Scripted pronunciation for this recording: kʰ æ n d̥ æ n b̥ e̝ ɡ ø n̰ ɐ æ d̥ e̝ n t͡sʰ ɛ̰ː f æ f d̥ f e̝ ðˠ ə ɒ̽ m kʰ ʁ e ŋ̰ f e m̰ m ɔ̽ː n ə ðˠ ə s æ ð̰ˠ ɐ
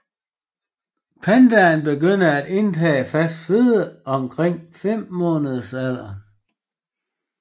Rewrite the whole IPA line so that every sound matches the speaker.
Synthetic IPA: pʰ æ n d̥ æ n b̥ e̝ ɡ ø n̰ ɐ æ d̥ e̝ n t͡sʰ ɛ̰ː f æ s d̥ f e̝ ðˠ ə ɒ̽ m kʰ ʁ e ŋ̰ f e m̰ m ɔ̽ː n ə ðˠ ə s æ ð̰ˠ ɐ